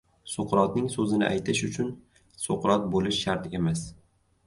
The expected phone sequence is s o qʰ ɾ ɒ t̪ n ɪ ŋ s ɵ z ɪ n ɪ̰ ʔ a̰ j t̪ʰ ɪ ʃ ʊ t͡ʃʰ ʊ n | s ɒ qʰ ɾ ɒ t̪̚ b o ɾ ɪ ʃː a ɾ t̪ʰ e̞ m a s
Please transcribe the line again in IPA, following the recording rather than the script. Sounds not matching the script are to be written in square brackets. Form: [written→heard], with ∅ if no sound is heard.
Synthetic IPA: s o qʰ ɾ ɒ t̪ n ɪ ŋ s ɵ z ɪ n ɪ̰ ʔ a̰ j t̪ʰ ɪ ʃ ʊ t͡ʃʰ ʊ n | s [ɒ→o] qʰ ɾ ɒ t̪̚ b o [ɾ→l] ɪ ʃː a ɾ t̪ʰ e̞ m a s